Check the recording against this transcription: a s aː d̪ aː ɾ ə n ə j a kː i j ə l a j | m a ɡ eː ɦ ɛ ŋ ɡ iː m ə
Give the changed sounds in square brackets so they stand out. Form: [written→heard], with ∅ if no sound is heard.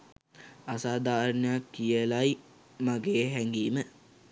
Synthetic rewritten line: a s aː d̪ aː ɾ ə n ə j a kː i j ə l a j | m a ɡ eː ɦ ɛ ŋ ɡ iː m ə